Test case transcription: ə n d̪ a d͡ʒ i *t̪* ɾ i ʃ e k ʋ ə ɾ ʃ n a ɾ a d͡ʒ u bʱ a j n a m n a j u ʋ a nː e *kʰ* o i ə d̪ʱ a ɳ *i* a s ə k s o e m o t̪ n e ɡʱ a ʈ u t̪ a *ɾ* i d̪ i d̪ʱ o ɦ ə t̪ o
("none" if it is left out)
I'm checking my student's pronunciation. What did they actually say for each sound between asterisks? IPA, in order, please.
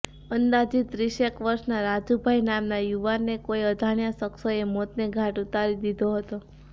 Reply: t̪, k, j, ɾ

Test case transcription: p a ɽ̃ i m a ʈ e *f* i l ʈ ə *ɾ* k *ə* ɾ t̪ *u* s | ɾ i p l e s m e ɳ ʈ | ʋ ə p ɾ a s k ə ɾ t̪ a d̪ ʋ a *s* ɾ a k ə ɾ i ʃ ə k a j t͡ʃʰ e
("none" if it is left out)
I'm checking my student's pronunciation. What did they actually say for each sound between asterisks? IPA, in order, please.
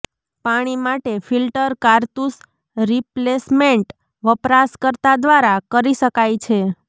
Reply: f, ɾ, a, u, none

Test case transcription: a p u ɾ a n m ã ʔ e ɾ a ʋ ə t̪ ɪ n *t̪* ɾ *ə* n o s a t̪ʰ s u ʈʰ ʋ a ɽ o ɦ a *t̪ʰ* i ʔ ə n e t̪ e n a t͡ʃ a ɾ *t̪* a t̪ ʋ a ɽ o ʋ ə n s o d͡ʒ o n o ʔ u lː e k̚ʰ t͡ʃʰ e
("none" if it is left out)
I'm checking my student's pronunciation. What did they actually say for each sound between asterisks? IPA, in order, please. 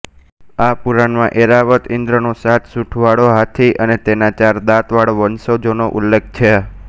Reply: d̪, ə, t̪ʰ, d̪

